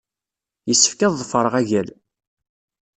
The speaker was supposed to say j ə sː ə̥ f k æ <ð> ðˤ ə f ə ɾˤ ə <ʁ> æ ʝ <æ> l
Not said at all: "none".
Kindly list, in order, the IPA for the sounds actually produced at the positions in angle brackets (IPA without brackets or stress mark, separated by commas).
ð, ʁ, æ